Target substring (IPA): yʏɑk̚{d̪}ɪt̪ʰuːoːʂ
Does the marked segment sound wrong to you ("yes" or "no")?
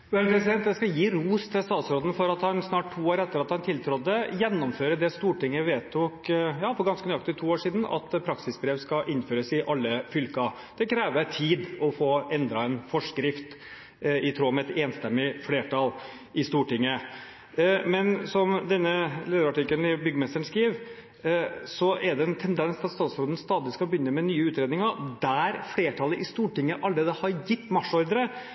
yes